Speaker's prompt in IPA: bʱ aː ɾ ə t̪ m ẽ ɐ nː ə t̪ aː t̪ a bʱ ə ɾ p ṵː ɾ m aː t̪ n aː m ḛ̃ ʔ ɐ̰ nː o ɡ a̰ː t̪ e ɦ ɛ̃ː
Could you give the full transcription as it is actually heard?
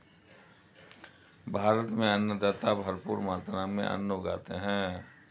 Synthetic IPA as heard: bʱ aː ɾ ə t̪ m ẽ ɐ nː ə d̪ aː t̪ a bʱ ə ɾ p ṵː ɾ m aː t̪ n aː m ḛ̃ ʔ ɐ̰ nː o ɡ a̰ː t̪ e ɦ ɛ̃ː